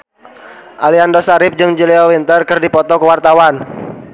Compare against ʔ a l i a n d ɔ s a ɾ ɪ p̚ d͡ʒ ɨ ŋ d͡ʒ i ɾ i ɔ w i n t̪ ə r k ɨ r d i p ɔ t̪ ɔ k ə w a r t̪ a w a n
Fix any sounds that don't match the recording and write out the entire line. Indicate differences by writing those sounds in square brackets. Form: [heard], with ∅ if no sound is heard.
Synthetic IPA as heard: ʔ a l i a n d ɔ s a ɾ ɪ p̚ d͡ʒ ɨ ŋ d͡ʒ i [l] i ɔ w i n t̪ ə r k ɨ r d i p ɔ t̪ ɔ k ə w a r t̪ a w a n